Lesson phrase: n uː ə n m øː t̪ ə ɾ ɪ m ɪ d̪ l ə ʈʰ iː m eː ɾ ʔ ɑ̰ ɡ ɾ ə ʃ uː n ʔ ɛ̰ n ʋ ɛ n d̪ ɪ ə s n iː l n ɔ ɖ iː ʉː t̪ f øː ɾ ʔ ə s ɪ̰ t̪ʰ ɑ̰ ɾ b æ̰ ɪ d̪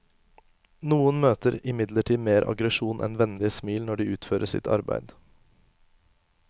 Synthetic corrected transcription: n uː ə n m øː t̪ ə ɾ ɪ m ɪ d̪ l ə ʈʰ iː m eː ɾ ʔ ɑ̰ ɡ ɾ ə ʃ uː n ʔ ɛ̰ n ʋ ɛ n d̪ ɪ ə s m iː l n ɔ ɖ iː ʉː t̪ f øː ɾ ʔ ə s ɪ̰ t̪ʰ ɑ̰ ɾ b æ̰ ɪ d̪